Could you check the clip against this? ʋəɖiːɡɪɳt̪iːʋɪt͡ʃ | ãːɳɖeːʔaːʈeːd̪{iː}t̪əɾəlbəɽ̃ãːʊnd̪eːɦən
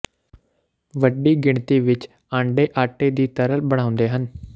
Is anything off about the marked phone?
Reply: no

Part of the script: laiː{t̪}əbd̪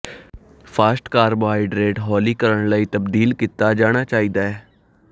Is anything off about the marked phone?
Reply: no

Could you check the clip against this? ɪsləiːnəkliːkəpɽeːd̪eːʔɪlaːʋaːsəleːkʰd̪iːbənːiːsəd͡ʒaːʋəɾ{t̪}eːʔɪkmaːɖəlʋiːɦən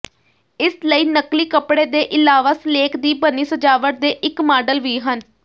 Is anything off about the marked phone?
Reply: yes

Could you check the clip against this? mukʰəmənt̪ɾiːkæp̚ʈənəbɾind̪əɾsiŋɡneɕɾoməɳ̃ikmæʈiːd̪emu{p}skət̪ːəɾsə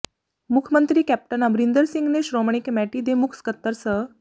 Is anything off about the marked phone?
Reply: yes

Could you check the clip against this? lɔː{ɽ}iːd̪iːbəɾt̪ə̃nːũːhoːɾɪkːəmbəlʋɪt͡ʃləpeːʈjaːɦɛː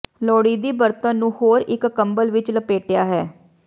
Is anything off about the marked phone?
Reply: no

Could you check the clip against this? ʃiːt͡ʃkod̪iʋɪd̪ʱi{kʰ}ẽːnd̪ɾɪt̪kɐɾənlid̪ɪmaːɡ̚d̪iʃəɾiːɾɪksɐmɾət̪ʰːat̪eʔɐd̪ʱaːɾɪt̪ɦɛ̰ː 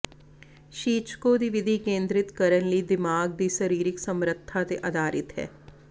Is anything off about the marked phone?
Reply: yes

